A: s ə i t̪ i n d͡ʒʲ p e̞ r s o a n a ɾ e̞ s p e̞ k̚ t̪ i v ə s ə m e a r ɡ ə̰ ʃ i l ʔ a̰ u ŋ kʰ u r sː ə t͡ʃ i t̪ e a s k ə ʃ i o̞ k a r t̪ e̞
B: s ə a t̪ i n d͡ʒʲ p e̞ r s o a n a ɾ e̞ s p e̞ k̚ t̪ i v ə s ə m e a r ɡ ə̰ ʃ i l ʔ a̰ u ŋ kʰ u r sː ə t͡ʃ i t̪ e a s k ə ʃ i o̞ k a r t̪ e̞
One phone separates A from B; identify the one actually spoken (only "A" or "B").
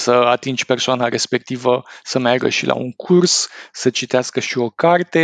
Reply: B